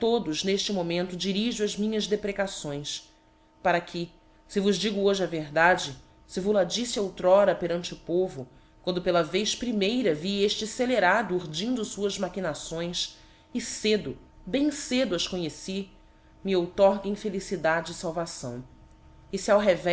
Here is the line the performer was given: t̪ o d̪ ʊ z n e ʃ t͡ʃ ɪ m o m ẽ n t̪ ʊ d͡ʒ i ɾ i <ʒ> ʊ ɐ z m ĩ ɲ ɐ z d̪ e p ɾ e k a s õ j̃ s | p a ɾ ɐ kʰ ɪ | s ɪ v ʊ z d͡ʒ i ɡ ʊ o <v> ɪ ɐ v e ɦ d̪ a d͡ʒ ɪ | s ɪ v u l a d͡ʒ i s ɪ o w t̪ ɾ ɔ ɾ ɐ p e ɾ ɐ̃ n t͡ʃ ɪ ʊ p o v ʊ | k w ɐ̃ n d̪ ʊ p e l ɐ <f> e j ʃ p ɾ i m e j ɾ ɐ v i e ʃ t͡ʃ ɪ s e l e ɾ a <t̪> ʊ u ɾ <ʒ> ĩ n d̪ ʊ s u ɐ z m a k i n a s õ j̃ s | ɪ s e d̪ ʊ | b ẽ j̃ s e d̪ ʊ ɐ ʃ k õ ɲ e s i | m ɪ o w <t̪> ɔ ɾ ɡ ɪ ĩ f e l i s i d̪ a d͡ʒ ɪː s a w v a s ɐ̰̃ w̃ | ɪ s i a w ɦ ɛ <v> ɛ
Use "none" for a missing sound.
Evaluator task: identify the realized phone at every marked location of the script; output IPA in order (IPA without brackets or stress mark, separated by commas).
ʒ, ʒ, v, d̪, d͡ʒ, t̪, v